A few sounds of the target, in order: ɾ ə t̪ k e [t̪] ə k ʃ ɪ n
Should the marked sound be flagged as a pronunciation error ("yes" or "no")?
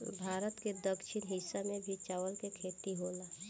yes